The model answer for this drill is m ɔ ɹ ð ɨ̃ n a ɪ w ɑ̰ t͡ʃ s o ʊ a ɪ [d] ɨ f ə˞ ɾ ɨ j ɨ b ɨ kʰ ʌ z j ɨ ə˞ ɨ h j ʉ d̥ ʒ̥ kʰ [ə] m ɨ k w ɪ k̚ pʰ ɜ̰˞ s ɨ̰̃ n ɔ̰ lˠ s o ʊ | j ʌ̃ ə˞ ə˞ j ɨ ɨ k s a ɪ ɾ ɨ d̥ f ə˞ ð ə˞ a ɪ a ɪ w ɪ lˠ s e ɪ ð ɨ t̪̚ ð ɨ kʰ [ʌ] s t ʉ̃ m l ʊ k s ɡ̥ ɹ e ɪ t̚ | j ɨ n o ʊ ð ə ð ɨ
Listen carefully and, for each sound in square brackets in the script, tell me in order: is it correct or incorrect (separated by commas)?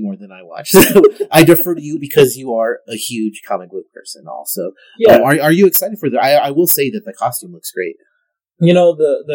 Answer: correct, incorrect, incorrect